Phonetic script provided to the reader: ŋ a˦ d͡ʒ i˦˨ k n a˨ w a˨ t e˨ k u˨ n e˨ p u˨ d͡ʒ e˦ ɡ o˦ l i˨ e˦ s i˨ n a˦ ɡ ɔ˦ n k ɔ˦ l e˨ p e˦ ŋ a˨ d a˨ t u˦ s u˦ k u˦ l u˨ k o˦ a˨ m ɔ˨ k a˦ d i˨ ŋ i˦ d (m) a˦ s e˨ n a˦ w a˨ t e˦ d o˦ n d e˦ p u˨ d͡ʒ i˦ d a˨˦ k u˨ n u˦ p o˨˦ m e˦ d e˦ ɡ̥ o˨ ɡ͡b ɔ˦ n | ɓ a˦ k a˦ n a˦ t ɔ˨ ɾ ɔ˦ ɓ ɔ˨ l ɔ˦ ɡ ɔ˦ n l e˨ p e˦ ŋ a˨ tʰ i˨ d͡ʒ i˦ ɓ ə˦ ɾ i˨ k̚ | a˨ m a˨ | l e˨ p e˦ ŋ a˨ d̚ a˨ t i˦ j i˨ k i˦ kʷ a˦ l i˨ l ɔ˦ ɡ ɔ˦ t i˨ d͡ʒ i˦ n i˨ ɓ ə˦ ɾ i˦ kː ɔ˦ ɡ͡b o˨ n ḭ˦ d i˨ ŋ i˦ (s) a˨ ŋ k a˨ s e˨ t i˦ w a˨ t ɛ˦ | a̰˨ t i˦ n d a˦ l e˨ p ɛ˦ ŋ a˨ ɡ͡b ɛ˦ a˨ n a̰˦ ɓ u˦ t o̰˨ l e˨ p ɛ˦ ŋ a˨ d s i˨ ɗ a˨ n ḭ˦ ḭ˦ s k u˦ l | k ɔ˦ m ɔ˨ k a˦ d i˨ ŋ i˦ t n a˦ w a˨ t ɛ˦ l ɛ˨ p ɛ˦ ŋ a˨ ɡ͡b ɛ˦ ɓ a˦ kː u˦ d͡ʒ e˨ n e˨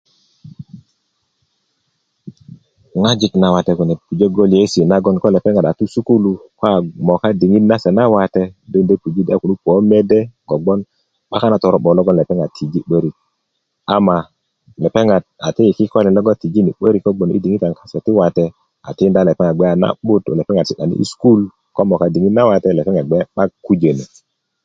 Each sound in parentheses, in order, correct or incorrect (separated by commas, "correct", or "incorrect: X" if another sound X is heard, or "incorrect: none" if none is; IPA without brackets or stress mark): incorrect: n, incorrect: t